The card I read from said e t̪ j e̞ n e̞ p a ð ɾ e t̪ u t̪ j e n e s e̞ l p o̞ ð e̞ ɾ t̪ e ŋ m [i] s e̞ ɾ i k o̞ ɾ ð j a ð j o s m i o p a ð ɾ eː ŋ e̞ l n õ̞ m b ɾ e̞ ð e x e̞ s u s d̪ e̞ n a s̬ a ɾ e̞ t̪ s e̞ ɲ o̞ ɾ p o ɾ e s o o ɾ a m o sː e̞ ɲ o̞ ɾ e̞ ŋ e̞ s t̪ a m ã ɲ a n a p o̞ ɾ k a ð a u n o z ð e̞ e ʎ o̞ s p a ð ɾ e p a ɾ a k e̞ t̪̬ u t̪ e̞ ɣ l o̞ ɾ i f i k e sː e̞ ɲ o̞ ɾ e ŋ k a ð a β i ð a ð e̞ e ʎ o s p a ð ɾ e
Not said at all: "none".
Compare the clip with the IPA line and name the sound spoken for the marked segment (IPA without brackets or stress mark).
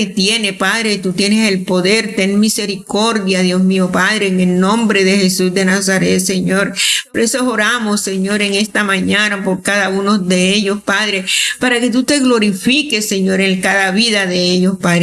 i